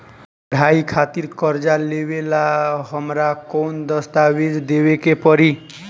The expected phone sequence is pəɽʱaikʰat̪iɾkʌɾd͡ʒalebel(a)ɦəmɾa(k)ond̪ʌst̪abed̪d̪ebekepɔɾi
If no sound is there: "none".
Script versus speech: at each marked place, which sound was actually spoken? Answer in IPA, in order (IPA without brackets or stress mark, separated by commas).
a, k